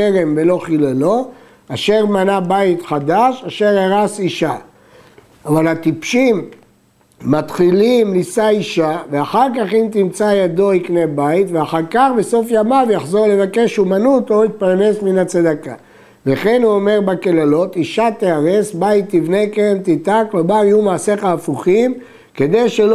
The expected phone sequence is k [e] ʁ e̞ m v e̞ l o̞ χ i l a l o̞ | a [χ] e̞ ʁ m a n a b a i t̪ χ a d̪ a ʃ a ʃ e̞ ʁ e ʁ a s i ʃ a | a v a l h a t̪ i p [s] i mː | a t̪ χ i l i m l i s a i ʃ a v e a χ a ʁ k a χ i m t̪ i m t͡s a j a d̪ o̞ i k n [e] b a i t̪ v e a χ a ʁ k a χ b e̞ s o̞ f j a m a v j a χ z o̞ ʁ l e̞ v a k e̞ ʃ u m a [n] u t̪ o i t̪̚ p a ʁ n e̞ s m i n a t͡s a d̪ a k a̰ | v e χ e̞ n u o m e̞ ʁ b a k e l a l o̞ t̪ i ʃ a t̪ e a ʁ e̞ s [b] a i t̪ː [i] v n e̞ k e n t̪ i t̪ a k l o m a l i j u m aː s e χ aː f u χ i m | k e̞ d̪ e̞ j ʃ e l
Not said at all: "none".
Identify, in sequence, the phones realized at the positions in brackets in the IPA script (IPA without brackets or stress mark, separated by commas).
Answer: e, ʃ, ʃ, e, n, b, i